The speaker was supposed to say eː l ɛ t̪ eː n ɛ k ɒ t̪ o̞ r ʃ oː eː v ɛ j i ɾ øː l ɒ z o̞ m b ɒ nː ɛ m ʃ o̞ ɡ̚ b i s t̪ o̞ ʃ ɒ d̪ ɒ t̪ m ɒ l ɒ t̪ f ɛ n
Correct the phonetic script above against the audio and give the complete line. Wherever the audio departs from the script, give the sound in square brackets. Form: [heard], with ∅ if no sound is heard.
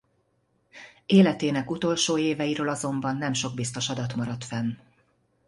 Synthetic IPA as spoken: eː l ɛ t̪ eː n ɛ k [u] t̪ o̞ [l] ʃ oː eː v ɛ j i ɾ øː l ɒ z o̞ m b ɒ nː ɛ m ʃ o̞ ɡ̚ b i s t̪ o̞ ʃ ɒ d̪ ɒ t̪ m ɒ [ɾ] ɒ t̪ f ɛ n

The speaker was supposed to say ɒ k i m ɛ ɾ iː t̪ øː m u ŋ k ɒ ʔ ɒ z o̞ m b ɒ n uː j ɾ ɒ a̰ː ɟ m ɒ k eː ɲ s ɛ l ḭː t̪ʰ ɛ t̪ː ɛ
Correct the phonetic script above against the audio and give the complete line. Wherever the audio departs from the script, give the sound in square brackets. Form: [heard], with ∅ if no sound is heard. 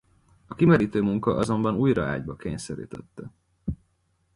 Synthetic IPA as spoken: ɒ k i m ɛ ɾ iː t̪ øː m u ŋ k ɒ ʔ ɒ z o̞ m b ɒ n uː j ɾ ɒ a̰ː ɟ [b] ɒ k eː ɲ s ɛ [ɾ] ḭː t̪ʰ ɛ t̪ː ɛ

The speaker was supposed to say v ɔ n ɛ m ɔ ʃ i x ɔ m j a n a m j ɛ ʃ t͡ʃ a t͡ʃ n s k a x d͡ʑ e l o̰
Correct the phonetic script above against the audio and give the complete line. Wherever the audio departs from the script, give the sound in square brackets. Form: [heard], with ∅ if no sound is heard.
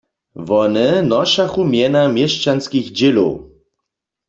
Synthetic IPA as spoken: v ɔ n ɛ [n] ɔ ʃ [a] x [u] m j [ɛ] n a m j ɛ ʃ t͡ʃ a [∅] n s k [i] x d͡ʑ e l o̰

